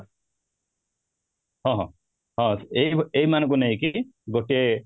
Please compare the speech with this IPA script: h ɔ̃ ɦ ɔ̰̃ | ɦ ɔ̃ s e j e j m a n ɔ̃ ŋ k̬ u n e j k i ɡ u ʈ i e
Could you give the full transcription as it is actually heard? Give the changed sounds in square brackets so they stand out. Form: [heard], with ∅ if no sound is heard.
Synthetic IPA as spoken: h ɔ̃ ɦ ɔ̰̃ | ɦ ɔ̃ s e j e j m a n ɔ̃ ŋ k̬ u n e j k i ɡ [o] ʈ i e